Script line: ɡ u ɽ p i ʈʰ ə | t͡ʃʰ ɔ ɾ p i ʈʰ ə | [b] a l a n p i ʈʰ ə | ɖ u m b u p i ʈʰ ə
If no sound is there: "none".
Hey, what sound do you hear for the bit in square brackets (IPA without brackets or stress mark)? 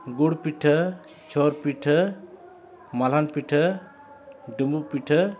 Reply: m